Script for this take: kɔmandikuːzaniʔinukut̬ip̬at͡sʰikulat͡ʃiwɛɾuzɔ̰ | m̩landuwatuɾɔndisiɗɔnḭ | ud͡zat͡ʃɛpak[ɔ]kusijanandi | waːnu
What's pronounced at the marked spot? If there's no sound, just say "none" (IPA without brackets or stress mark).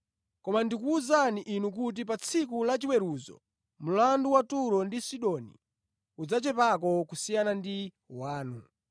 ɔ